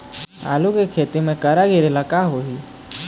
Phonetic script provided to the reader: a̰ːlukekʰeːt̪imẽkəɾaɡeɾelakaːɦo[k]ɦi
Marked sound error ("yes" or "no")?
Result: yes